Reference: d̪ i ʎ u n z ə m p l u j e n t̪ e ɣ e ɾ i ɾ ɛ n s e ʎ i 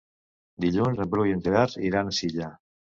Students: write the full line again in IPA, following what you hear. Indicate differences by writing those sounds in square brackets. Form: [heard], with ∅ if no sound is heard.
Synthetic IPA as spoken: d̪ i ʎ u n z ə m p [ɾ] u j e n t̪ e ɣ [a] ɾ i ɾ [a] n s [i] ʎ [a]